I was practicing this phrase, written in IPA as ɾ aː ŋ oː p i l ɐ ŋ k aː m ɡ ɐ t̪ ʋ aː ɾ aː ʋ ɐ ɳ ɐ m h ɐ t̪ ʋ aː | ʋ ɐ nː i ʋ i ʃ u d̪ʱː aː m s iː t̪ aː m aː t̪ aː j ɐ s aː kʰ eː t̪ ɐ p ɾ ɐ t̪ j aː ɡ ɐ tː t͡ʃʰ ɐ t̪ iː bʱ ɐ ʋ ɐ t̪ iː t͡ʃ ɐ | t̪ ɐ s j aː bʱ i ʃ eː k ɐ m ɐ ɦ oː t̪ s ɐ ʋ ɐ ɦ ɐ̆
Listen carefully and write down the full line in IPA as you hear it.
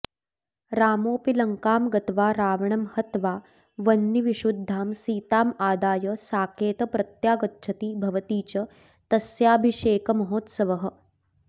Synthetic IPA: ɾ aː m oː p i l ɐ ŋ k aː m ɡ ɐ t̪ ʋ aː ɾ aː ʋ ɐ ɳ ɐ m h ɐ t̪ ʋ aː | ʋ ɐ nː i ʋ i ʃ u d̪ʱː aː m s iː t̪ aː m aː d̪ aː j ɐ s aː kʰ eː t̪ ɐ p ɾ ɐ t̪ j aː ɡ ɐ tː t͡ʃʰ ɐ t̪ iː bʱ ɐ ʋ ɐ t̪ iː t͡ʃ ɐ | t̪ ɐ s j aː bʱ i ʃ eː k ɐ m ɐ ɦ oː t̪ s ɐ ʋ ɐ ɦ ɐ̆